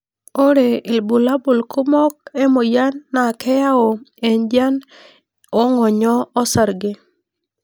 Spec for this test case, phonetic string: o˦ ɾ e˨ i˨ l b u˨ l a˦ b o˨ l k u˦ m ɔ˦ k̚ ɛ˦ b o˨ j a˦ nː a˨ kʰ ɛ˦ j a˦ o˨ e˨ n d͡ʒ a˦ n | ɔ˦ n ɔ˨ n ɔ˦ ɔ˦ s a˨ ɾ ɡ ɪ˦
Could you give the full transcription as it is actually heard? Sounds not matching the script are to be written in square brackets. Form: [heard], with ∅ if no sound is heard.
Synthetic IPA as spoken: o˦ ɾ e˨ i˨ l b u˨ l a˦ b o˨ l k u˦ m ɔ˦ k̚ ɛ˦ [m] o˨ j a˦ nː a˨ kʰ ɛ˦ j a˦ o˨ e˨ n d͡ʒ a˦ n | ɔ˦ [ŋ] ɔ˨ [ɲ] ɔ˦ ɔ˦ s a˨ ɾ ɡ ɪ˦